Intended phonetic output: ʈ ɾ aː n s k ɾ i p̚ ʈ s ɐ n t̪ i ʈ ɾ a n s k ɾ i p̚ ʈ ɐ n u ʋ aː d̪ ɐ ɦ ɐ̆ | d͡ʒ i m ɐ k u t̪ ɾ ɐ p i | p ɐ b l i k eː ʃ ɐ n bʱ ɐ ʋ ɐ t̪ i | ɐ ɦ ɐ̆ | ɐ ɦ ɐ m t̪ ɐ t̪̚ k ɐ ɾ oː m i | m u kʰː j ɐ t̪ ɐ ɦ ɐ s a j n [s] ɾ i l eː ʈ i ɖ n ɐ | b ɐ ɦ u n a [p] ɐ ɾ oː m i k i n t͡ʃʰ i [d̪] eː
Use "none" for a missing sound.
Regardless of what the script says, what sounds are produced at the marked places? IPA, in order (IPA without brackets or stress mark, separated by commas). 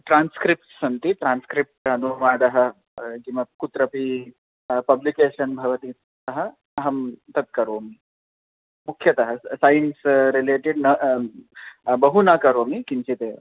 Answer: s, k, t̪